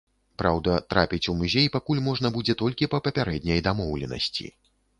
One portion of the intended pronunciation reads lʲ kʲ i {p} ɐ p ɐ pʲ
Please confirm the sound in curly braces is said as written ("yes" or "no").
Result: yes